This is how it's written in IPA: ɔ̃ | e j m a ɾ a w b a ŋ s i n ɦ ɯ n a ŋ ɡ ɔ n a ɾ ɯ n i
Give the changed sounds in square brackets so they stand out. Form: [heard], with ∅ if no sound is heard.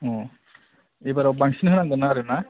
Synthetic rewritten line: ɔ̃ | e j [b] a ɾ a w b a ŋ s i n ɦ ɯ n a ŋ ɡ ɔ n a ɾ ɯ n [a]

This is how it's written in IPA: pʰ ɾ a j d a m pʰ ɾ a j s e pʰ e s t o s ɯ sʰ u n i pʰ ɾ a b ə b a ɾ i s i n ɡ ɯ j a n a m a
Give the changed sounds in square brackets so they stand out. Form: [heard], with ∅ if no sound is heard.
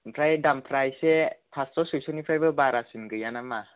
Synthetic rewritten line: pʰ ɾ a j d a m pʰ ɾ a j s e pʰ [a] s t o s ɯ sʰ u n i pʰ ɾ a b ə b a ɾ [a] s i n ɡ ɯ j a n a m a

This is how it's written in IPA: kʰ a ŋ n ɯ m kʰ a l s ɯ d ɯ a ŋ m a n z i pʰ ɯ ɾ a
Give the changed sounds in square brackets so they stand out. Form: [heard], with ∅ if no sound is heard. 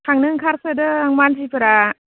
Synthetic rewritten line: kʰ a ŋ n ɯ [ŋ] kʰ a [ɾ] s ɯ d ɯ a ŋ m a n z i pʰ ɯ ɾ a

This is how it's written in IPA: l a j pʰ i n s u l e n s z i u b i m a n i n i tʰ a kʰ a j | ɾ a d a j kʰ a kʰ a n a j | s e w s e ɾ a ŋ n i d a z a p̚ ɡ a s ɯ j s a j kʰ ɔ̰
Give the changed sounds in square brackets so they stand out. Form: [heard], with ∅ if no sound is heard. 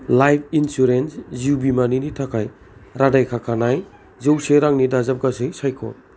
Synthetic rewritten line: l a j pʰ i n s u [ɾ] e n s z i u b i m a n i n i tʰ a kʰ a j | ɾ a d a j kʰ a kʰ a n a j | [z] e w s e ɾ a ŋ n i d a z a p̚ ɡ a s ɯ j s a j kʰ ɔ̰

